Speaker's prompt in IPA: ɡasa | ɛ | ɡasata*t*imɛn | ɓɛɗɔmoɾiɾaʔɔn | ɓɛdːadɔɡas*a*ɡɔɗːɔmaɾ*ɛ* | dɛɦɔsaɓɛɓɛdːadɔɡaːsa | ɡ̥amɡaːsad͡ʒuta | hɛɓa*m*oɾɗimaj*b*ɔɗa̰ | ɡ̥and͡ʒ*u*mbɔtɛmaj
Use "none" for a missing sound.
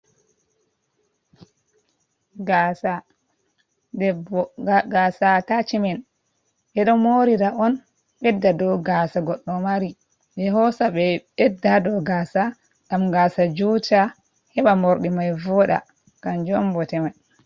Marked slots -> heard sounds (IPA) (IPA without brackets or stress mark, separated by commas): t͡ʃ, a, i, m, v, ɔ